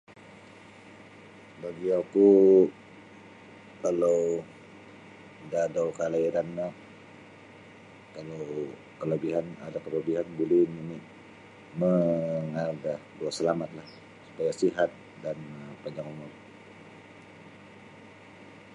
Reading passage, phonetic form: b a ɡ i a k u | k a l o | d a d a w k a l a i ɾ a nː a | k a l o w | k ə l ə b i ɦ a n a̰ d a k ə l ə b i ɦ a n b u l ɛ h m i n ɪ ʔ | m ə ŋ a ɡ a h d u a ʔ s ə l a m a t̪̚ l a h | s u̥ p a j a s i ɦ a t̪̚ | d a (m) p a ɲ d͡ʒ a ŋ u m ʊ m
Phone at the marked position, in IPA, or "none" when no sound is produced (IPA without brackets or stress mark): n